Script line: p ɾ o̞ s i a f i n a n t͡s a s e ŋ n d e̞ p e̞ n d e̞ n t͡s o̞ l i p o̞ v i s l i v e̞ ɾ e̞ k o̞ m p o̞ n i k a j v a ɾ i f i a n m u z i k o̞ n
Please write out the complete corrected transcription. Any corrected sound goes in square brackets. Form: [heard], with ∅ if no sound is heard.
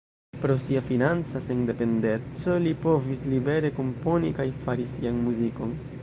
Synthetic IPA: p ɾ o̞ s i a f i n a n t͡s a s e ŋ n d e̞ p e̞ n d e̞ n t͡s o̞ l i p o̞ v i s l i [b] e̞ ɾ e̞ k o̞ m p o̞ n i k a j [f] a ɾ i [s] i a n m u z i k o̞ n

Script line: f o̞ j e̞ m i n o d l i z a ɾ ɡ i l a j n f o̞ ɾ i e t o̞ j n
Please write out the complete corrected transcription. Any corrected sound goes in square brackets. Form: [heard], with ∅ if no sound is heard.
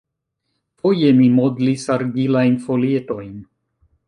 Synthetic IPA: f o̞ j e̞ m i [m] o d l i [s] a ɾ ɡ i l a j n f o̞ [l] i e t o̞ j n

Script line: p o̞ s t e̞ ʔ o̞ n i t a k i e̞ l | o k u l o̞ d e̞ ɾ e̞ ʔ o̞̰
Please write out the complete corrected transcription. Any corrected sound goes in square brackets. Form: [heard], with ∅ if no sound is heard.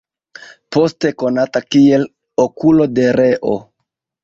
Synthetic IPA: p o̞ s t e̞ [k] o̞ n [a] t a k i e̞ l | o k u l o̞ d e̞ ɾ e̞ ʔ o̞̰

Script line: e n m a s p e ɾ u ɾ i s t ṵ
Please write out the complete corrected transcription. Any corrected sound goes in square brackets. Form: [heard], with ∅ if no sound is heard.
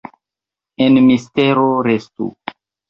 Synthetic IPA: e n m [i] s [t] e ɾ [o] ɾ [e] s t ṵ

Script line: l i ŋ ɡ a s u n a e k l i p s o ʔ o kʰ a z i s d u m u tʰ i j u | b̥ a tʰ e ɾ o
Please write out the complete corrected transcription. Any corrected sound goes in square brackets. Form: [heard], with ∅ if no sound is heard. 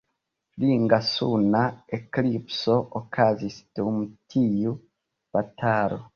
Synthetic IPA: l i ŋ ɡ a s u n a e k l i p s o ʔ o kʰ a z i s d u m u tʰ i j u | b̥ a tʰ [a] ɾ o

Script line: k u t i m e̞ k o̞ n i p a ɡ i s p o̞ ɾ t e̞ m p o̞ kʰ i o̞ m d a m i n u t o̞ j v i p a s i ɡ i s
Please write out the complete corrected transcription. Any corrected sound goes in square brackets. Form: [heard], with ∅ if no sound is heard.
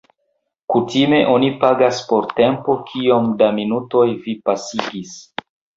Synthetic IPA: k u t i m e̞ [ʔ] o̞ n i p a ɡ [a] s p o̞ ɾ t e̞ m p o̞ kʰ i o̞ m d a m i n u t o̞ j v i p a s i ɡ i s

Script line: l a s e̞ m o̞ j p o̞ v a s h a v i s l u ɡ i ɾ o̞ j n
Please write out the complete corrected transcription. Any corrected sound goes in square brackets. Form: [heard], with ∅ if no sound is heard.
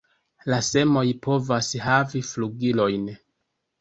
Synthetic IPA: l a s e̞ m o̞ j p o̞ v a s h a v i [f] l u ɡ i [l] o̞ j n

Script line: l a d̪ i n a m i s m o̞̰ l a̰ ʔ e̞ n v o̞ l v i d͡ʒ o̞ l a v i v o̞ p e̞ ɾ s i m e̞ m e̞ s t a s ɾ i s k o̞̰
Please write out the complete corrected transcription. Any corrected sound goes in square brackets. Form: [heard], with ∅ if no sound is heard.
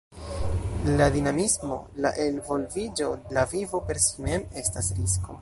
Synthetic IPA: l a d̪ i n a m i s m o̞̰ l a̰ ʔ e̞ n v o̞ l v i d͡ʒ o̞ l a v i v o̞ p e̞ ɾ s i m e̞ m e̞ s t a s ɾ i s k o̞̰

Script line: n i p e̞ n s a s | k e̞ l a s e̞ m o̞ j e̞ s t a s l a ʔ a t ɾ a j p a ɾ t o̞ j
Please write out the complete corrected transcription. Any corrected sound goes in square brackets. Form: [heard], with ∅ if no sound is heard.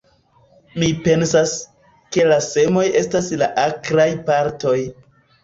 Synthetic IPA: [m] i p e̞ n s a s | k e̞ l a s e̞ m o̞ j e̞ s t a s l a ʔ a [k] ɾ a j p a ɾ t o̞ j

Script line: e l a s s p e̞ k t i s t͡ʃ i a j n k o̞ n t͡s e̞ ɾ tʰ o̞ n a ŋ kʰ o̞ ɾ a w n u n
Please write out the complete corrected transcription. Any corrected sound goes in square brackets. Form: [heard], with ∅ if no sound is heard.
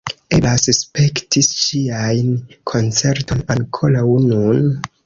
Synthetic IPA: e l a s s p e̞ k t i s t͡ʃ i a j n [kʰ] o̞ n t͡s e̞ ɾ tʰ o̞ n a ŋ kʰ o̞ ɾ a w n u n

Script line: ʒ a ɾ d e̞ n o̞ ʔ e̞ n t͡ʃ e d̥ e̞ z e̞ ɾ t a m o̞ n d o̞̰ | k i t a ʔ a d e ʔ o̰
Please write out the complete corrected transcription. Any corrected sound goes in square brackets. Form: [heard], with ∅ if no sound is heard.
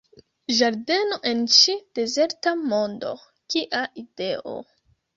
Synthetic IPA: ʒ a ɾ d e̞ n o̞ ʔ e̞ n t͡ʃ [i] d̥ e̞ z e̞ ɾ t a m o̞ n d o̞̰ | k i [ʔ] a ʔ [i] d e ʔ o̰

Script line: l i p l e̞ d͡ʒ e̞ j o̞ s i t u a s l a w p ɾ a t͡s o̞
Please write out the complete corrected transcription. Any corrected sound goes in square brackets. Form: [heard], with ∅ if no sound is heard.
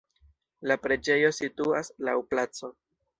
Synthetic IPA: l [a] p [ɾ] e̞ d͡ʒ e̞ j o̞ s i t u a s l a w p [l] a t͡s o̞

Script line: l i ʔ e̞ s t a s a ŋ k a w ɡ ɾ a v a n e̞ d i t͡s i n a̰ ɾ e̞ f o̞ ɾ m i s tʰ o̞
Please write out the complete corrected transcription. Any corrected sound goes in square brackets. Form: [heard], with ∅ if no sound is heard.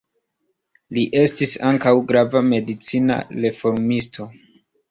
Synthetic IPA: l i ʔ e̞ s t [i] s a ŋ k a w ɡ ɾ a v a [m] e̞ d i t͡s i n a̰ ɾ e̞ f o̞ ɾ m i s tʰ o̞

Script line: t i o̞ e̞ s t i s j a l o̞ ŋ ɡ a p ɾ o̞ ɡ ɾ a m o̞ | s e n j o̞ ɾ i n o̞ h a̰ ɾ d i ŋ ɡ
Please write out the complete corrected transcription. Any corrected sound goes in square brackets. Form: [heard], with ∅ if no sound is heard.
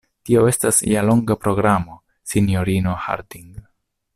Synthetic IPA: t i o̞ e̞ s t [a] s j a l o̞ ŋ ɡ a p ɾ o̞ ɡ ɾ a m o̞ | s [i] n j o̞ ɾ i n o̞ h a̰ ɾ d i ŋ ɡ

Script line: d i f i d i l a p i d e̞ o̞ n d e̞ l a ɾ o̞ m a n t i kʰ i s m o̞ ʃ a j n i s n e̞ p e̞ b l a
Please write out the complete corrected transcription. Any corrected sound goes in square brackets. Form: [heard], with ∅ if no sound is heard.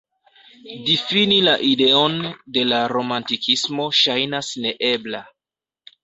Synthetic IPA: d i f i [n] i l a [ʔ] i d e̞ o̞ n d e̞ l a ɾ o̞ m a n t i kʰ i s m o̞ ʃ a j n [a] s n e̞ [ʔ] e̞ b l a

